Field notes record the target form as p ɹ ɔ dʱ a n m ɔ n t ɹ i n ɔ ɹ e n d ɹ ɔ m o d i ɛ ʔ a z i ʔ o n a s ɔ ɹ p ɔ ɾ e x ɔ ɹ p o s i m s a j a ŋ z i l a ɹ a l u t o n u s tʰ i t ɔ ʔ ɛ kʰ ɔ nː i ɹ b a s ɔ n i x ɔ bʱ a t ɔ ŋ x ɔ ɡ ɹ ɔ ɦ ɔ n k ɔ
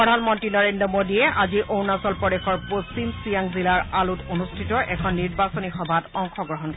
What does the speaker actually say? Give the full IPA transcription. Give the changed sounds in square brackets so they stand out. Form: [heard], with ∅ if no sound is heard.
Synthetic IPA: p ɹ ɔ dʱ a n m ɔ n t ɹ i n ɔ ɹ e n d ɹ ɔ m o d i ɛ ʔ a z i ʔ o n a s ɔ [l] p ɔ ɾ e x ɔ ɹ p o s i m s [i] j a ŋ z i l a ɹ a l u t o n u s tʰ i t ɔ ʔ ɛ kʰ ɔ nː i ɹ b a s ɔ n i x ɔ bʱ a t ɔ ŋ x ɔ ɡ ɹ ɔ ɦ ɔ n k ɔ